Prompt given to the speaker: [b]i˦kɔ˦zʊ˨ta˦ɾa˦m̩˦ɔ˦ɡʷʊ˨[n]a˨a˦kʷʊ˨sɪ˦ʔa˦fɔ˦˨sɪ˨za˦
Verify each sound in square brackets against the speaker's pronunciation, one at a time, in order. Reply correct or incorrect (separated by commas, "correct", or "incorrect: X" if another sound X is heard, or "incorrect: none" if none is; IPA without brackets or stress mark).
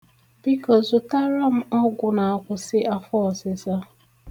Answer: correct, correct